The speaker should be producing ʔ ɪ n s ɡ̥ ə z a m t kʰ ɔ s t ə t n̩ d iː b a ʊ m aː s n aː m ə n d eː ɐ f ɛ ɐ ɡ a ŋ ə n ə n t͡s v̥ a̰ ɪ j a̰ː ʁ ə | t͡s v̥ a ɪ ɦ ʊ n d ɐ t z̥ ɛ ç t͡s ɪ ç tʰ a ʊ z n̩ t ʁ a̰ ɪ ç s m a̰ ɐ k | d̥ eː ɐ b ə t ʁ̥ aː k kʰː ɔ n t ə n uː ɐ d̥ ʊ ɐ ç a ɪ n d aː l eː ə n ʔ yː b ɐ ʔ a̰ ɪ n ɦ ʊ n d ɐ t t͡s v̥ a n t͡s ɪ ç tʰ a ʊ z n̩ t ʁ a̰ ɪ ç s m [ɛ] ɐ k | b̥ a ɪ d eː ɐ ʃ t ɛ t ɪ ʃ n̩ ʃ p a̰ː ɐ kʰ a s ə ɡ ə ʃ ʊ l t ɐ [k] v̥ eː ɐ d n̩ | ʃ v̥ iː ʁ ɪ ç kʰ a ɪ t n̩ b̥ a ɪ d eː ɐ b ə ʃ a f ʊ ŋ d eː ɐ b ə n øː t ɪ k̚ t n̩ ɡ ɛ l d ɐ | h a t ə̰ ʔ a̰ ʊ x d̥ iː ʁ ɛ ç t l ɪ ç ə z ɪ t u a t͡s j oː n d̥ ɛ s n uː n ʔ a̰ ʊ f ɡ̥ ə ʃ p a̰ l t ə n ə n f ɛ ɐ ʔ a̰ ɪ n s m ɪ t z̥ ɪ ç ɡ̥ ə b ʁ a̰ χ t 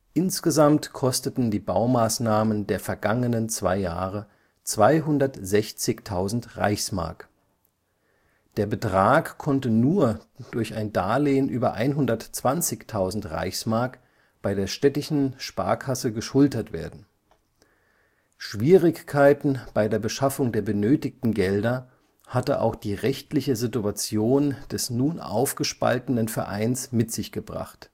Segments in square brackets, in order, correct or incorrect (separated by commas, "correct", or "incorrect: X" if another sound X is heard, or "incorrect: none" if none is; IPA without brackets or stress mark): incorrect: a, incorrect: t